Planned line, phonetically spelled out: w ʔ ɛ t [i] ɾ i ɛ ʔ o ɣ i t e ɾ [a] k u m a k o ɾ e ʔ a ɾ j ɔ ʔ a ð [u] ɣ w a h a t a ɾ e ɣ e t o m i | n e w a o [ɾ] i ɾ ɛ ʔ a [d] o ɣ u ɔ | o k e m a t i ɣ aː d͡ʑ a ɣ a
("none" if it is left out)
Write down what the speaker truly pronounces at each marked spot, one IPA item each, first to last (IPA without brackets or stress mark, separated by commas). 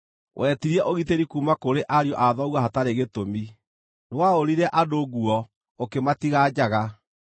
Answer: i, i, ɔ, ɾ, d